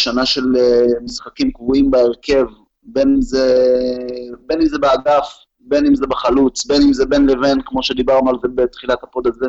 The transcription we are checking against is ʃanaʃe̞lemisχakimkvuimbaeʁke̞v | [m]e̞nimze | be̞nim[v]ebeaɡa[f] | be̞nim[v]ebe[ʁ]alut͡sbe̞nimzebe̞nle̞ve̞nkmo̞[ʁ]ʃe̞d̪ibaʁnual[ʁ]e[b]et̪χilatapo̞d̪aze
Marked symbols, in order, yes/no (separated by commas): no, no, yes, no, no, no, no, yes